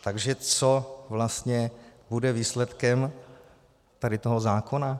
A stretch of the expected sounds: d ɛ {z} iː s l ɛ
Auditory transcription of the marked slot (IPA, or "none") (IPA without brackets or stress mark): v